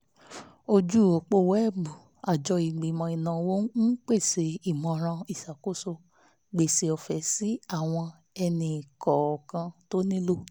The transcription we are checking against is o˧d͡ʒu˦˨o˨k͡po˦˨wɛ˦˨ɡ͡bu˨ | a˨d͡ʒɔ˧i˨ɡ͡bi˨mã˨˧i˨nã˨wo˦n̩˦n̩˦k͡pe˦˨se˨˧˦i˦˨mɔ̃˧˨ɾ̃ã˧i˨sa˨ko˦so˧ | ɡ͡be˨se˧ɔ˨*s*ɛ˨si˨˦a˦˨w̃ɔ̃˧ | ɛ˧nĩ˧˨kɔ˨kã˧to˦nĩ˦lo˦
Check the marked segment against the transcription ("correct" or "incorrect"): incorrect